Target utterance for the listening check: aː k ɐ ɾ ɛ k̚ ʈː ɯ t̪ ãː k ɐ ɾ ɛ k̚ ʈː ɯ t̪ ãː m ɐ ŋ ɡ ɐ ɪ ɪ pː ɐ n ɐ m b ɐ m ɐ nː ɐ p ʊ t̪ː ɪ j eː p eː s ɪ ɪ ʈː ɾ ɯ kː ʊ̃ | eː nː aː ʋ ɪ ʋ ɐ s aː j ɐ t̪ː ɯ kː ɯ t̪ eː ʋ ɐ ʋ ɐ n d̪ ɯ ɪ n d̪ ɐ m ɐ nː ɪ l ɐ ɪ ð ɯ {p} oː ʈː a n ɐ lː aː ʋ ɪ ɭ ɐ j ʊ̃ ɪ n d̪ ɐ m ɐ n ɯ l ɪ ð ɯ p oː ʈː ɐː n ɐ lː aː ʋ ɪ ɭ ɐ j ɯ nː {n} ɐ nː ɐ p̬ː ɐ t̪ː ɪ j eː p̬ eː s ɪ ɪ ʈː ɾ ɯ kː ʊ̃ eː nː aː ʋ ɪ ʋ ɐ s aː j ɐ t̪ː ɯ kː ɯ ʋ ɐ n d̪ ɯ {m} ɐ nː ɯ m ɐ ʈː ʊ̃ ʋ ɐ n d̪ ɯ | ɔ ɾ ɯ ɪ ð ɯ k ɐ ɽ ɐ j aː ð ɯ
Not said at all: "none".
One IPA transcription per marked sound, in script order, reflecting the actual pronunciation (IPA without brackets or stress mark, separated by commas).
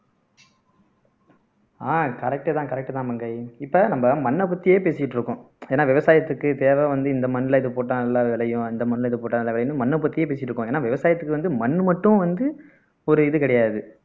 p, m, m